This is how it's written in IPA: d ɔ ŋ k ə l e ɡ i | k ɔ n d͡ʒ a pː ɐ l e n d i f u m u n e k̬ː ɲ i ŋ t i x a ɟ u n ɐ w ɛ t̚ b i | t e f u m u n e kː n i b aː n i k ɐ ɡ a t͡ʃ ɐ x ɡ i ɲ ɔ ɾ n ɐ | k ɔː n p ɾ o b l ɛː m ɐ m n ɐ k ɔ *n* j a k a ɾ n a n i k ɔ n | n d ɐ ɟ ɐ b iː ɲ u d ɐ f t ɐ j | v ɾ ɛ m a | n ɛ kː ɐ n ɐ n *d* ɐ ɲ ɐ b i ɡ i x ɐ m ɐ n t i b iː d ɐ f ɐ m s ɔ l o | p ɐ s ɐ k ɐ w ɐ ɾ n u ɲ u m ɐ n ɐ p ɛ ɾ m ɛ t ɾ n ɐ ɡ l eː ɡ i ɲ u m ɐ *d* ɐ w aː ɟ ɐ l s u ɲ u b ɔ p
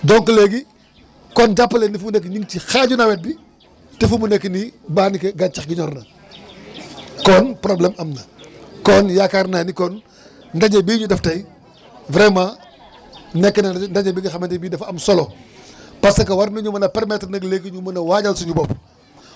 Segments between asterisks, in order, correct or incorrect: correct, correct, incorrect: n

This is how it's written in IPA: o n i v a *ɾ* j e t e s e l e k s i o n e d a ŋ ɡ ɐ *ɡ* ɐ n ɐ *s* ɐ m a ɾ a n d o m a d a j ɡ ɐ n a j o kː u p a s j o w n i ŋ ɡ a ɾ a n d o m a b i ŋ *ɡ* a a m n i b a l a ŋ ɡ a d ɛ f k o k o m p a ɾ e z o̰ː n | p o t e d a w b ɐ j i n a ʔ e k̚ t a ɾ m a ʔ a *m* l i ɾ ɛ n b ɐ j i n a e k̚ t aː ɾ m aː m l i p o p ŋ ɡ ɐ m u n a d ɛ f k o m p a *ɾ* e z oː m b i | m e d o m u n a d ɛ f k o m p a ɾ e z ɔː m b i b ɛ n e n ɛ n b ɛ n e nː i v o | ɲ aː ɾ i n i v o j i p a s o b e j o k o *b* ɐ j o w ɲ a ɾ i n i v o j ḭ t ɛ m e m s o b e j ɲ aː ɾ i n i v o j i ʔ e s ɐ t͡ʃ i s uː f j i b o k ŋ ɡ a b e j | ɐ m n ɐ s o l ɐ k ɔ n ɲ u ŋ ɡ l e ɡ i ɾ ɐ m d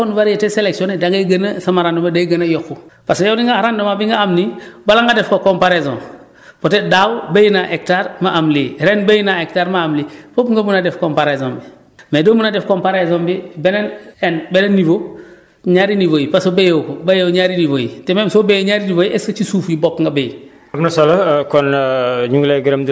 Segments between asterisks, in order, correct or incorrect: correct, correct, correct, correct, correct, correct, correct

